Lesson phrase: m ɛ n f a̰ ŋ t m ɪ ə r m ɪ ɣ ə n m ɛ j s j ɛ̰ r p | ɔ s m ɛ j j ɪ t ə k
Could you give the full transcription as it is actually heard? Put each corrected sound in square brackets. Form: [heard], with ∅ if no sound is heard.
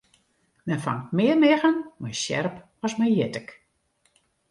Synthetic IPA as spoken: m ɛ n f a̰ ŋ t m ɪ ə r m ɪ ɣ ə n m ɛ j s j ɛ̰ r p | ɔ s m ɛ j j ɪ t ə k